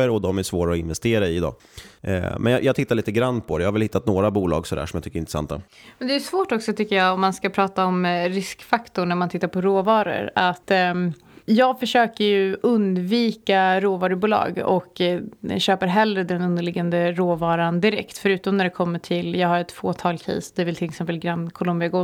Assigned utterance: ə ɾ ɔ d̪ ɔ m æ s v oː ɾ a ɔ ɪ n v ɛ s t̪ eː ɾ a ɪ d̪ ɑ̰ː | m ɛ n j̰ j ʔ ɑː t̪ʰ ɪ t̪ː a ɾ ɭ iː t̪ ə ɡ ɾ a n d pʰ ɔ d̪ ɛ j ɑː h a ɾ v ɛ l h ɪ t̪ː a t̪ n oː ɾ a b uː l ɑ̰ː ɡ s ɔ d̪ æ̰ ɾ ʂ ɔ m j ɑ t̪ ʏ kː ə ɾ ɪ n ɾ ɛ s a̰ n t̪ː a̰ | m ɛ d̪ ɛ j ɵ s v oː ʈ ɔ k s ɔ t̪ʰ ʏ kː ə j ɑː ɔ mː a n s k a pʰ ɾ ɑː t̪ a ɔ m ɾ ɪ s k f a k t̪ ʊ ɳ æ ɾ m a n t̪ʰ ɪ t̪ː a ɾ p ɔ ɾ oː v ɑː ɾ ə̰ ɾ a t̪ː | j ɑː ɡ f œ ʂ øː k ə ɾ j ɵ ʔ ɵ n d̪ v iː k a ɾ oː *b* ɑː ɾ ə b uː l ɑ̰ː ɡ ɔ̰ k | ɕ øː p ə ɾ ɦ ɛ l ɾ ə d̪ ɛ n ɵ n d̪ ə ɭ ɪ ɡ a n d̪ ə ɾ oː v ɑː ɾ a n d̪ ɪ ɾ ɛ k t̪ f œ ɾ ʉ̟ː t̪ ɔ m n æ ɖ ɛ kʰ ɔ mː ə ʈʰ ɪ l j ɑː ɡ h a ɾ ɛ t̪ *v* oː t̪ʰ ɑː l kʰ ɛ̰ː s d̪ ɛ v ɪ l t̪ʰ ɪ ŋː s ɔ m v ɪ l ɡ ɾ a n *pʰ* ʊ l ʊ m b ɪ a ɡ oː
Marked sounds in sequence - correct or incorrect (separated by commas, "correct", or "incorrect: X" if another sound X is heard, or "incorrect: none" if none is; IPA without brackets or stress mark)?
incorrect: v, incorrect: f, incorrect: kʰ